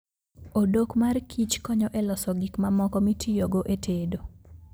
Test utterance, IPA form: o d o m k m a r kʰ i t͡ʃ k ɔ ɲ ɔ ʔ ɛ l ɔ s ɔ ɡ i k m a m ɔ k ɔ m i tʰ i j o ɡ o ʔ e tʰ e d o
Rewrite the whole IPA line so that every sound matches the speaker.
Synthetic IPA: o d o k m a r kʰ i t͡ʃ k ɔ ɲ ɔ ʔ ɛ l ɔ s ɔ ɡ i k m a m ɔ k ɔ m i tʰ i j o ɡ o ʔ e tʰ e d o